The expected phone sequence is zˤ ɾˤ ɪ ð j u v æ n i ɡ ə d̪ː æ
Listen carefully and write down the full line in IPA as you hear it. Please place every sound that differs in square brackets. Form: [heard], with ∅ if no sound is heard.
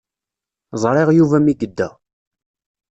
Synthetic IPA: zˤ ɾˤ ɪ [ʁ] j u v æ [m] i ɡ ə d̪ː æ

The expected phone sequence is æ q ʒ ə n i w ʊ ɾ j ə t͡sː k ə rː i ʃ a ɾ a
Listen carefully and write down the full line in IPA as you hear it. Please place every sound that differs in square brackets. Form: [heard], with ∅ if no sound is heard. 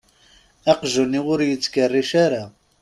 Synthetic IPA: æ q ʒ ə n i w ʊ ɾ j ə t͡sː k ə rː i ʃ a ɾ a

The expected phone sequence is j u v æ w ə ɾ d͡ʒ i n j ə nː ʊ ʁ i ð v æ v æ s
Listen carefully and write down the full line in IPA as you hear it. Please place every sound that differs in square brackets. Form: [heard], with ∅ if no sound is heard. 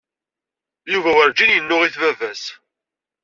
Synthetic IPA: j u v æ w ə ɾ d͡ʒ i n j ə nː ʊ ʁ i [θ] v æ v æ s

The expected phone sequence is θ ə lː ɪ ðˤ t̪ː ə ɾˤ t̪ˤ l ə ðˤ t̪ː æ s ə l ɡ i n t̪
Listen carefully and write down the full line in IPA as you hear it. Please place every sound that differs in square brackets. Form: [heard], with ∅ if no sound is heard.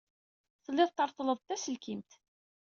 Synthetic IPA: θ ə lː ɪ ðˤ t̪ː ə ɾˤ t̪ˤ l ə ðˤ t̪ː æ s ə l [k] i [m] t̪

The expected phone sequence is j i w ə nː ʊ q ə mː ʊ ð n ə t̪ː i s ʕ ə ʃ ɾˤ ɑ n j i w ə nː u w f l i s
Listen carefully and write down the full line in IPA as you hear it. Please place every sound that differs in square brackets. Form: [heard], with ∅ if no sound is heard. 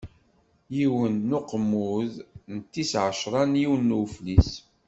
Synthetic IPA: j i w ə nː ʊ q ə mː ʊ ð n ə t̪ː i s ʕ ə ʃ ɾˤ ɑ n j i w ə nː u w f l i s

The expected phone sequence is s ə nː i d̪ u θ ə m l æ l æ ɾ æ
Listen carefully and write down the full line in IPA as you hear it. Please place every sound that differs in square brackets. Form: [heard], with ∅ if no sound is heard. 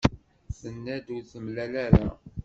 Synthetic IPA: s ə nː [æ] d̪ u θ ə m l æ l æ ɾ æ

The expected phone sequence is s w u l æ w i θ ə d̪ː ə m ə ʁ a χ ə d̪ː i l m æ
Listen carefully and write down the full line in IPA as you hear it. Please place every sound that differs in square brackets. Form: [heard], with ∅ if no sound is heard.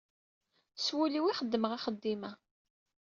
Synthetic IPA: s w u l [i] w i [χ] ə d̪ː ə m ə ʁ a χ ə d̪ː i [∅] m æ

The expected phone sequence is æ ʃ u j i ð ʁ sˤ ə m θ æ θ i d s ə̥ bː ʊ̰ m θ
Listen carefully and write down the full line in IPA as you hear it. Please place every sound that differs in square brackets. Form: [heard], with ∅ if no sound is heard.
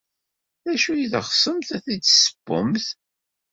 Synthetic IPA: æ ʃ u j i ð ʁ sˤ ə m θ æ θ i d s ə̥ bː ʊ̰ m θ

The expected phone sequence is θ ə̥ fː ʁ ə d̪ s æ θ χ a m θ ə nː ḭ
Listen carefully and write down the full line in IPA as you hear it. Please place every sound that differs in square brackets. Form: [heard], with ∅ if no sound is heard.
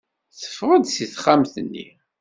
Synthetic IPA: θ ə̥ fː ʁ ə d̪ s [i] θ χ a m θ ə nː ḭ

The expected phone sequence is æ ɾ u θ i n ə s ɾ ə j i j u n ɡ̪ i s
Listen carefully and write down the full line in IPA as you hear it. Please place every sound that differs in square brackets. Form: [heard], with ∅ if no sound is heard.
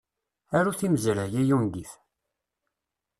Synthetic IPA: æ ɾ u θ i [m] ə [z] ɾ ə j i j u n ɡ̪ i [θ]

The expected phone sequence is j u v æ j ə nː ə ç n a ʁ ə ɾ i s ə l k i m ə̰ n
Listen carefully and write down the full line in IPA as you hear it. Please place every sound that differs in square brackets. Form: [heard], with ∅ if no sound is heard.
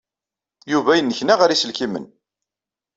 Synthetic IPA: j u v æ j ə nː ə ç n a ʁ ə ɾ i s ə l k i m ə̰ n

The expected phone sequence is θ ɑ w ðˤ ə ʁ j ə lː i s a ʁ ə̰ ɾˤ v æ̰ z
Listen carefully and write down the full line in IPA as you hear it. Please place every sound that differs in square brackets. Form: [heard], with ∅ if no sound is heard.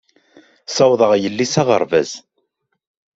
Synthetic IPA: [s] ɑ w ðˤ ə ʁ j ə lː i s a ʁ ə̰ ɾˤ v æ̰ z

